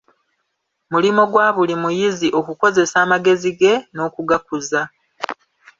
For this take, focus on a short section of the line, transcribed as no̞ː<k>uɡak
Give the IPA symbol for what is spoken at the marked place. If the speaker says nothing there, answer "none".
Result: k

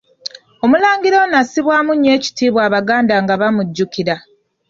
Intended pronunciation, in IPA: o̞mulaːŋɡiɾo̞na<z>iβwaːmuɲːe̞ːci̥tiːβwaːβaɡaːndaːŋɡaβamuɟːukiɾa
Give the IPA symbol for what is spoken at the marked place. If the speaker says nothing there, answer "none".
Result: s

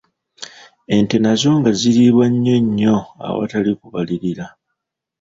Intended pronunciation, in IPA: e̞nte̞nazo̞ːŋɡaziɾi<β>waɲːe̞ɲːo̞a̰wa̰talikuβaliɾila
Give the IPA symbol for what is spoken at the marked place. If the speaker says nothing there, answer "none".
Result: β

